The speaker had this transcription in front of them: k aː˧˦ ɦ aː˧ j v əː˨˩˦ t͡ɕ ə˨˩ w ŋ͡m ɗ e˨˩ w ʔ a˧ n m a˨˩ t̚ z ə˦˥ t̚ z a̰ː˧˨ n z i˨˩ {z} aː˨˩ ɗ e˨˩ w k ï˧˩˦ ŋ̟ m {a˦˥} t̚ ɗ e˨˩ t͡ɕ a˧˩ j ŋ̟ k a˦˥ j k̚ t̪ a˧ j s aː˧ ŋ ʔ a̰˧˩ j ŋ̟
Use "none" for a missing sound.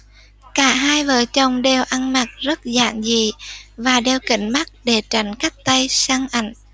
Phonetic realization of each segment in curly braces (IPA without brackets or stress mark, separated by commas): v, a˦˥